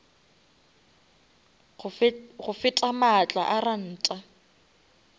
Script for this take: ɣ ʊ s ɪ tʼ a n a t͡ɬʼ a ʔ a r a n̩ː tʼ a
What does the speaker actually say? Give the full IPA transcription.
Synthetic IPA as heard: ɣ ʊ f ɪ tʼ a m a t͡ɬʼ a ʔ a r a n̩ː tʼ a